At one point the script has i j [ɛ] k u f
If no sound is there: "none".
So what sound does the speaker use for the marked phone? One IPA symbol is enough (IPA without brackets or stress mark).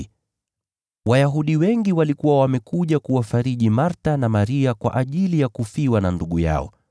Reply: a